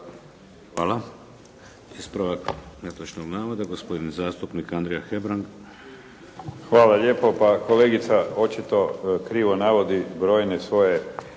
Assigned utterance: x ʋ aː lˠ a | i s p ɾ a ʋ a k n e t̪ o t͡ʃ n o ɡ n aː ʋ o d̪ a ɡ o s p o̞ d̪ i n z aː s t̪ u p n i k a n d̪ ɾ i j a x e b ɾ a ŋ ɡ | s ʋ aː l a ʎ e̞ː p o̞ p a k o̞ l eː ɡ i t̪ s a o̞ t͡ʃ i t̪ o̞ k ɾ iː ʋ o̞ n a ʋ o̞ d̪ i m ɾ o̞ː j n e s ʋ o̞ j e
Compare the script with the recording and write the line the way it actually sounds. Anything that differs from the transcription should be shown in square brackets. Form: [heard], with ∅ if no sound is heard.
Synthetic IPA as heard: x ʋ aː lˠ a | i s p ɾ a ʋ a k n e t̪ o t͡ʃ n o ɡ n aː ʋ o d̪ a ɡ o s p o̞ d̪ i n z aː s t̪ u p n i k a n d̪ ɾ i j a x e b ɾ a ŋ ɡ | [x] ʋ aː l a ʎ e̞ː p o̞ p a k o̞ l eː ɡ i t̪ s a o̞ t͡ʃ i t̪ o̞ k ɾ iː ʋ o̞ n a ʋ o̞ d̪ i [b] ɾ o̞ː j n e s ʋ o̞ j e

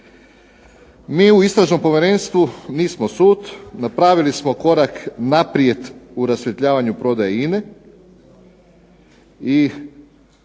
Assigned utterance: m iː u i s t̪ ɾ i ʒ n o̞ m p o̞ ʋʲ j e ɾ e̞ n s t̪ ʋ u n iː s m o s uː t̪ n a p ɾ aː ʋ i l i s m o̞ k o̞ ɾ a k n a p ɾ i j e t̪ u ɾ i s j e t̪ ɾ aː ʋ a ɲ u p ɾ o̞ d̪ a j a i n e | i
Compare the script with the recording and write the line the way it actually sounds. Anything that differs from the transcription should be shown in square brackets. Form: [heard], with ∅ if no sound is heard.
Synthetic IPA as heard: m iː u i s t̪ ɾ [a] ʒ n o̞ m p o̞ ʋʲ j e ɾ e̞ n s t̪ ʋ u n iː s m o s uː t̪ n a p ɾ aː ʋ i l i s m o̞ k o̞ ɾ a k n a p ɾ i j e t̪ u ɾ [a] s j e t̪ [ʎ] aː ʋ a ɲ u p ɾ o̞ d̪ a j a i n e | i

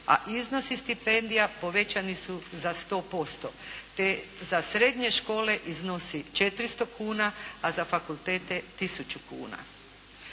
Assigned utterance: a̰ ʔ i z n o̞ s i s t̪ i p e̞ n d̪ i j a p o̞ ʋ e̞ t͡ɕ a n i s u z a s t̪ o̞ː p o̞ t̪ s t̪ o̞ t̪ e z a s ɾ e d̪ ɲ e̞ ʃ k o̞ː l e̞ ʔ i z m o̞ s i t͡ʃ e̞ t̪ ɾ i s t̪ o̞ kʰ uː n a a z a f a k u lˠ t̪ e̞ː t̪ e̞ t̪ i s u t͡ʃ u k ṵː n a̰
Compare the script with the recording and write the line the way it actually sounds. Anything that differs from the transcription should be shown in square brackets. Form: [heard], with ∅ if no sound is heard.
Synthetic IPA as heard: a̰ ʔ i z n o̞ s i s t̪ i p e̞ n d̪ i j a p o̞ ʋ e̞ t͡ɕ a n i s u z a s t̪ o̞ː p o̞ [∅] s t̪ o̞ t̪ e z a s ɾ e d̪ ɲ e̞ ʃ k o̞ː l e̞ ʔ i z [n] o̞ s i t͡ʃ e̞ t̪ ɾ i s t̪ o̞ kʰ uː n a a z a f a k u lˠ t̪ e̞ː t̪ e̞ t̪ i s u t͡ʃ u k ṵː n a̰

